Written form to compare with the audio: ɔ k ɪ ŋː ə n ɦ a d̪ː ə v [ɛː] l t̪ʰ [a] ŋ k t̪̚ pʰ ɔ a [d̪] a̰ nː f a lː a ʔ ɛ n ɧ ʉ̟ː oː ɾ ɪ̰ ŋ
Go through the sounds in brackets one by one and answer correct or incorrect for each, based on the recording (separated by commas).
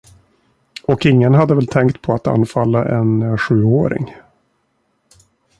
incorrect, incorrect, incorrect